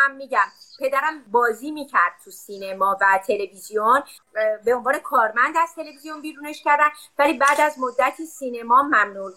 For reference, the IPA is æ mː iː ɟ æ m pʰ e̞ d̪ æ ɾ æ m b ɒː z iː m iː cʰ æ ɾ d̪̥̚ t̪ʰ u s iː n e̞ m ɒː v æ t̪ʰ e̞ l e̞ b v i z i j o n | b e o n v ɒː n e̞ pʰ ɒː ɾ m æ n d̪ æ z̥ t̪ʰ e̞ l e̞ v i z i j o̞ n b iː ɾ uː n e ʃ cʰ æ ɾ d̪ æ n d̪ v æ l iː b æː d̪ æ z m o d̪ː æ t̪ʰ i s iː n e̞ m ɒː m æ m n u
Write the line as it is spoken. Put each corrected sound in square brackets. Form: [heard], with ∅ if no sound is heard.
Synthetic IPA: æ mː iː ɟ æ m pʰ e̞ d̪ æ ɾ æ m b ɒː z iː m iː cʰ æ ɾ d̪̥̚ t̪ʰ u s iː n e̞ m ɒː v æ t̪ʰ e̞ l e̞ [∅] v i z i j o n | b e o n v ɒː n e̞ [kʰ] ɒː ɾ m æ n d̪ æ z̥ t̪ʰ e̞ l e̞ v i z i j o̞ n b iː ɾ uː n e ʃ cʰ æ ɾ d̪ æ n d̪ v æ l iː b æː d̪ æ z m o d̪ː æ t̪ʰ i s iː n e̞ m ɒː m æ m n u